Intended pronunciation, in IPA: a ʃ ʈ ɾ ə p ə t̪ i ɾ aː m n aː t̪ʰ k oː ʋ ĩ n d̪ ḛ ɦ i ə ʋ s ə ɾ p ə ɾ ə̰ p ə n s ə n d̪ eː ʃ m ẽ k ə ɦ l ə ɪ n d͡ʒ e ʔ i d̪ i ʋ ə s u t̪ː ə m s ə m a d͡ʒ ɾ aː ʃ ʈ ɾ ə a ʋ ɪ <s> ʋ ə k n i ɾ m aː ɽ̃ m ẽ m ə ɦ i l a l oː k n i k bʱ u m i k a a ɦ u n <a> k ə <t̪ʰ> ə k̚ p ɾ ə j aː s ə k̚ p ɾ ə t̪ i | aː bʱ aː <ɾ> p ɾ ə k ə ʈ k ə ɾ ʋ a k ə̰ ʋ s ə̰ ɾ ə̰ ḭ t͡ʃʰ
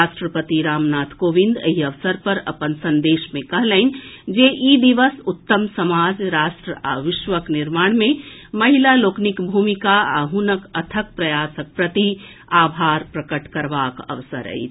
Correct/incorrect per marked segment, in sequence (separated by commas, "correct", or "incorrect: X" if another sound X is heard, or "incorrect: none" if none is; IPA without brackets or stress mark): incorrect: ʃ, incorrect: ə, correct, correct